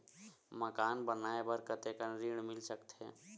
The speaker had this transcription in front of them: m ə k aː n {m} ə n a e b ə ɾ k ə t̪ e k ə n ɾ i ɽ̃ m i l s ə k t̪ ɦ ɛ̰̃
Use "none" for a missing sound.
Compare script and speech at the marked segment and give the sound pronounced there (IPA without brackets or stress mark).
b